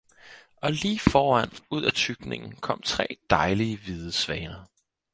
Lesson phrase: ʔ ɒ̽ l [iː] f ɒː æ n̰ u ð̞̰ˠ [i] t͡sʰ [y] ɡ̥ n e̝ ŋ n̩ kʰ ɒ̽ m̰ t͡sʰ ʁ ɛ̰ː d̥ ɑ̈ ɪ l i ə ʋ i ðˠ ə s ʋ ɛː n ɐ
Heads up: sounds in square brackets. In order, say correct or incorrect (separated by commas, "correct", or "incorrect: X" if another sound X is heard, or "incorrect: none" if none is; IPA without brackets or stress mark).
correct, incorrect: æ, correct